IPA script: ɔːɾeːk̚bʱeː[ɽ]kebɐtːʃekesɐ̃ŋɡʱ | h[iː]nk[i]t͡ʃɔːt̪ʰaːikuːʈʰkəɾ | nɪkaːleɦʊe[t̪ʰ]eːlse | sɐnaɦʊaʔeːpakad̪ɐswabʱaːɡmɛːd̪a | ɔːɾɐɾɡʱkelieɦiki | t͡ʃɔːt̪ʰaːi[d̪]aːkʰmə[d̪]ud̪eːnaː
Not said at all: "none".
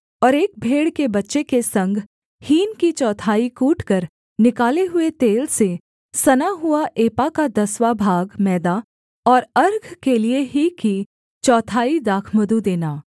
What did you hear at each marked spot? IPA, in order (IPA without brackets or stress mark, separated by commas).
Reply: ɽ, iː, i, t̪, d̪, d̪